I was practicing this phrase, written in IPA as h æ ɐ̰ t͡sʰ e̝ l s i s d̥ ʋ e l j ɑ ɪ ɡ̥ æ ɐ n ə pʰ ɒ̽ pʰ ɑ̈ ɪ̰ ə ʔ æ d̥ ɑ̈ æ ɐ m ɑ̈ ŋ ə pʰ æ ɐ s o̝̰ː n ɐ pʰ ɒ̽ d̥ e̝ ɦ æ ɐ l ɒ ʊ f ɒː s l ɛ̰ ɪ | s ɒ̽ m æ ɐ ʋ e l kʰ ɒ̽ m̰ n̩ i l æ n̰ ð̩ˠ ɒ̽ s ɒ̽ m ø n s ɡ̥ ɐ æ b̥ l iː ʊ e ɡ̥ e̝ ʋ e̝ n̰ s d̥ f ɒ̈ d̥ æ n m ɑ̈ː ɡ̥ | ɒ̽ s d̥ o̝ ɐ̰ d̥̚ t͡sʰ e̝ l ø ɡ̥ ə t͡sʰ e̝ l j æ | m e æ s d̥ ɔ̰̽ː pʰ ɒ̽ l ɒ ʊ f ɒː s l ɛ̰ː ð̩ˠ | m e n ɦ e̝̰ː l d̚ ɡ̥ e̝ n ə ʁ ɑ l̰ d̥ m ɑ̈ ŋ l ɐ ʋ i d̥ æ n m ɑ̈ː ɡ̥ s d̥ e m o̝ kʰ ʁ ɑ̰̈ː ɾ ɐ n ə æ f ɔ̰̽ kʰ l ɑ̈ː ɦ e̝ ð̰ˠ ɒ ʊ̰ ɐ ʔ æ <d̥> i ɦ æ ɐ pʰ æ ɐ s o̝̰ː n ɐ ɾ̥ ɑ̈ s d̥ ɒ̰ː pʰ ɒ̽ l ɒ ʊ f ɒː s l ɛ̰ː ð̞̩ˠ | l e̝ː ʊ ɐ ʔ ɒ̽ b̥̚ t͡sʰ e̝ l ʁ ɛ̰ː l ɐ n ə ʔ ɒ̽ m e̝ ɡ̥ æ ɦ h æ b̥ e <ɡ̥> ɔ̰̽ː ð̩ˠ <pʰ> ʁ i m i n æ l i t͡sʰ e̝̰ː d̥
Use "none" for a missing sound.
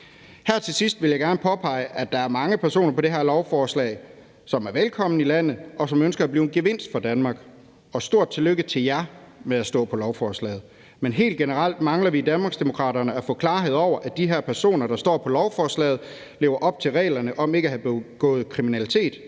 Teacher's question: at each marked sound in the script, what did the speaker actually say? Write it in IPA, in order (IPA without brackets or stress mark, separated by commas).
d̥, ɡ̥, kʰ